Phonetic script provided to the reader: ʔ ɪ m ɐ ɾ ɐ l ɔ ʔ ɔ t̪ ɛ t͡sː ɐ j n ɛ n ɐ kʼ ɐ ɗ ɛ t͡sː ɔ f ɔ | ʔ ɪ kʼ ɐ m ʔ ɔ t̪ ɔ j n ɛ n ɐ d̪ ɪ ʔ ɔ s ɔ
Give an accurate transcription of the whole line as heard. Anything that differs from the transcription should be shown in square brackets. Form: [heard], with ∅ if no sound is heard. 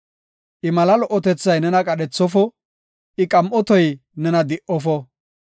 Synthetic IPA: ʔ ɪ m ɐ [l] ɐ l ɔ ʔ ɔ t̪ ɛ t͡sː ɐ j n ɛ n ɐ kʼ ɐ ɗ ɛ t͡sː ɔ f ɔ | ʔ ɪ kʼ ɐ m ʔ ɔ t̪ ɔ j n ɛ n ɐ d̪ ɪ ʔ ɔ [f] ɔ